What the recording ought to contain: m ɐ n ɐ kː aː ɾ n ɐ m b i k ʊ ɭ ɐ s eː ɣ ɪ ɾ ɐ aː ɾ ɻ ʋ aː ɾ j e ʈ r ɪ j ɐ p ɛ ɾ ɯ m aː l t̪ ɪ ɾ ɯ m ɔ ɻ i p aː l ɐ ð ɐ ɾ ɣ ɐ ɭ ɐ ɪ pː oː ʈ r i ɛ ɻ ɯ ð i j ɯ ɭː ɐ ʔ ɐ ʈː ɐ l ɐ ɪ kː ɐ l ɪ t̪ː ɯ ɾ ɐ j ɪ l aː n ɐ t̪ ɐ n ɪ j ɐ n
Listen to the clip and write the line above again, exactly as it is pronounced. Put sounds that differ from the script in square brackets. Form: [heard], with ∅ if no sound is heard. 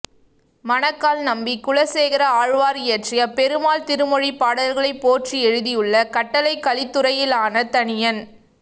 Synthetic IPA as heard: m ɐ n ɐ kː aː [l] n ɐ m b i k ʊ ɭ ɐ s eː ɣ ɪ ɾ ɐ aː [∅] ɻ ʋ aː ɾ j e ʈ r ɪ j ɐ p ɛ ɾ ɯ m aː l t̪ ɪ ɾ ɯ m ɔ ɻ i p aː [ɽ] ɐ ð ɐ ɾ ɣ ɐ ɭ ɐ ɪ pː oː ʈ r i ɛ ɻ ɯ ð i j ɯ ɭː ɐ [k] ɐ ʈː ɐ l ɐ ɪ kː ɐ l ɪ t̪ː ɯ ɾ ɐ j ɪ l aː n ɐ t̪ ɐ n ɪ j ɐ n